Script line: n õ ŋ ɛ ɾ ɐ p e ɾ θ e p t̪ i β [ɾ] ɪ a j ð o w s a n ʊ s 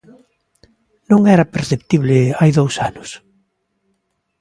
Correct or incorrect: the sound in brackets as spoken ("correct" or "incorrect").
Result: incorrect